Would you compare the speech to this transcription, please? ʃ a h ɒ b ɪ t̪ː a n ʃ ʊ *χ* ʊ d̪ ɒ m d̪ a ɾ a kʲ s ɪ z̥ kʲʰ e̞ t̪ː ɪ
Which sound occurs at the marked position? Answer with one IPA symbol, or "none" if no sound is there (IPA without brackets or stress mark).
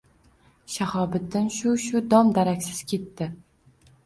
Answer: ʃ